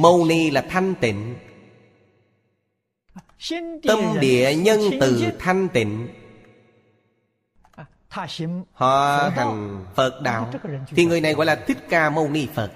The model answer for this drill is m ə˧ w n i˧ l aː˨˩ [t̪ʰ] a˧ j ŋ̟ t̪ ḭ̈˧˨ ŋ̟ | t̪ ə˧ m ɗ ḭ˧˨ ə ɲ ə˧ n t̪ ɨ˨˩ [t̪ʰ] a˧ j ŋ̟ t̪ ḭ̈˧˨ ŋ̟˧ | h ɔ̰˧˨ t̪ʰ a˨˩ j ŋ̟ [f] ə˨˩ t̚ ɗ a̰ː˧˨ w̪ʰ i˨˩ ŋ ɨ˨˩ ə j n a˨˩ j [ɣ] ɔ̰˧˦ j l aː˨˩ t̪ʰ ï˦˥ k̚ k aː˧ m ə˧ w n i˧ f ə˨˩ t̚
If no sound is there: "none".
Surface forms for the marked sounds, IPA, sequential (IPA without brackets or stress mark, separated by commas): t̪ʰ, t̪ʰ, f, ɣ